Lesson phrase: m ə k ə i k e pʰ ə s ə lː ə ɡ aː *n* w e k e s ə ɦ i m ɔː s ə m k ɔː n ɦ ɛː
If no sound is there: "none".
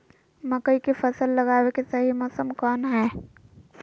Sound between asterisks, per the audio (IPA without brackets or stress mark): none